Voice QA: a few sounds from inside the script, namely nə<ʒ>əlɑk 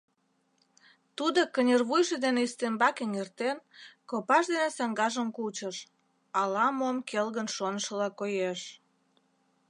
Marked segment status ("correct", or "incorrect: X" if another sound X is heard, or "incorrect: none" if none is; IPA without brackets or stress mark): incorrect: ʃ